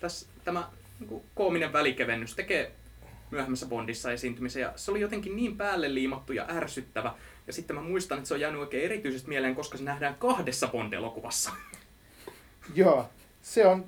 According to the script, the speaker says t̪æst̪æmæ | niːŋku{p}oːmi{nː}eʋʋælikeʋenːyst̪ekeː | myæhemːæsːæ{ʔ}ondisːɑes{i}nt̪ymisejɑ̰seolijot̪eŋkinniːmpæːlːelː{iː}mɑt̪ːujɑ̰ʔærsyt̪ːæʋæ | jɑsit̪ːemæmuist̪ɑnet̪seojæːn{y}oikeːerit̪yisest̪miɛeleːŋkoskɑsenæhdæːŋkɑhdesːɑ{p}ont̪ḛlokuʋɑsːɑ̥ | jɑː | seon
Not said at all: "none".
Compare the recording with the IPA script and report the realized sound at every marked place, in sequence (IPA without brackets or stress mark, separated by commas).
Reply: k, n, p, iː, iː, y, p